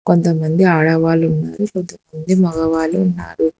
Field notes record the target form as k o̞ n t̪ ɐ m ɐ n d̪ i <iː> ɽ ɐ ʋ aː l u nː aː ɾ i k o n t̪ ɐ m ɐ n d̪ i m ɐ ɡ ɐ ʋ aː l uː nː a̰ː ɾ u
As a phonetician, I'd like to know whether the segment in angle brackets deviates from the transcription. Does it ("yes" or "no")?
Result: yes